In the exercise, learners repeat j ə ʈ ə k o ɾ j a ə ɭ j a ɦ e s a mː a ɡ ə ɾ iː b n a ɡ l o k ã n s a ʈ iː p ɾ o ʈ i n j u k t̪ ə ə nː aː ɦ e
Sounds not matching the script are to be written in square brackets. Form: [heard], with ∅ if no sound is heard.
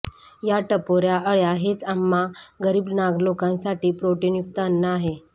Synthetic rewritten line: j [a] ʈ ə [p] o ɾ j a ə ɭ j a ɦ e [t͡s] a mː a ɡ ə ɾ iː b n a ɡ l o k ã n s a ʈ iː p ɾ o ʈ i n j u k t̪ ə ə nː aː ɦ e